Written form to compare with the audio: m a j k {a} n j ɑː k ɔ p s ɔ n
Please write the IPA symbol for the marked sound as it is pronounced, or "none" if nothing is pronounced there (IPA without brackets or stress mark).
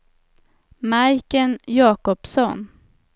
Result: ə